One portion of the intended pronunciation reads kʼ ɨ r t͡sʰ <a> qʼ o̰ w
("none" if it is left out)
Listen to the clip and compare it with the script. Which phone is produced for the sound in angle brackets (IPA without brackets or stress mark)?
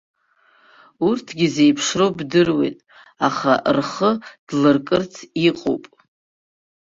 i